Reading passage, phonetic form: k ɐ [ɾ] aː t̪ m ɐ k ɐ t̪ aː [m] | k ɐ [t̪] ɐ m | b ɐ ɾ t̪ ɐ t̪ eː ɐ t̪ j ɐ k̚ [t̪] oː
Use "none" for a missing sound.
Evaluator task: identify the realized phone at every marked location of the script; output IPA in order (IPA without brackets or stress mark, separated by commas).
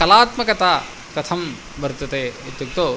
l, none, t̪ʰ, t̪